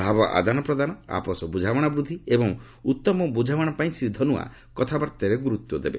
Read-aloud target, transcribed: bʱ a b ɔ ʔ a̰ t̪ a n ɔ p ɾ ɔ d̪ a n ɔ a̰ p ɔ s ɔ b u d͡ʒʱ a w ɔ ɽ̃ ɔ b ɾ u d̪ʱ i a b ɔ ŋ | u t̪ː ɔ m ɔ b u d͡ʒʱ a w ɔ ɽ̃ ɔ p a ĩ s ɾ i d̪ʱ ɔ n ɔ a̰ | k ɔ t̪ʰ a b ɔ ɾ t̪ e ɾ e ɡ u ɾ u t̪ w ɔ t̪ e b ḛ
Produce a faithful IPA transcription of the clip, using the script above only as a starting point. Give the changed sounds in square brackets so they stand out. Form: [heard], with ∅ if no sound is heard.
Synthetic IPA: bʱ a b ɔ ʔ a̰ [d̪] a n ɔ p ɾ ɔ d̪ a n ɔ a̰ p ɔ s ɔ b u d͡ʒʱ a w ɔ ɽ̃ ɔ b ɾ u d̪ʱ i [e] b ɔ ŋ | u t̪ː ɔ m ɔ b u d͡ʒʱ a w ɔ ɽ̃ ɔ p a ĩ s ɾ i d̪ʱ ɔ n [u] a̰ | k ɔ t̪ʰ a b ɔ ɾ t̪ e ɾ e ɡ u ɾ u t̪ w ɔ [d̪] e b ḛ